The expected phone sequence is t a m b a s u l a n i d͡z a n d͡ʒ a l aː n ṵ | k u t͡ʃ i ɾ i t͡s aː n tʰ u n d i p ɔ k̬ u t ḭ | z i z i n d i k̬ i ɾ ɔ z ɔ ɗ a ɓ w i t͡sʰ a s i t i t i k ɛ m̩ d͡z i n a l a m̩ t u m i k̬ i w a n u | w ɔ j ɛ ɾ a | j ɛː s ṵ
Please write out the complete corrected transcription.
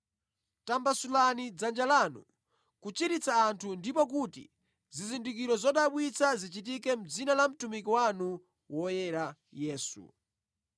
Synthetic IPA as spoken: t a m b a s u l a n i d͡z a n d͡ʒ a l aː n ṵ | k u t͡ʃ i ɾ i t͡s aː n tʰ u n d i p ɔ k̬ u t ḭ | z i z i n d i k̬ i ɾ ɔ z ɔ ɗ a ɓ w i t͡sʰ a z i t͡ʃ i t i k ɛ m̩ d͡z i n a l a m̩ t u m i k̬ i w a n u | w ɔ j ɛ ɾ a | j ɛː s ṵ